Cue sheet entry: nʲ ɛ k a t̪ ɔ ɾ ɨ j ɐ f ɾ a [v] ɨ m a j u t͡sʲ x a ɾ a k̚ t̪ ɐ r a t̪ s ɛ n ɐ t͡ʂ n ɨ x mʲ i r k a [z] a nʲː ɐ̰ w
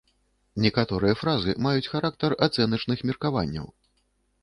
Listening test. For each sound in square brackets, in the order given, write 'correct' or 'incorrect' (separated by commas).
incorrect, incorrect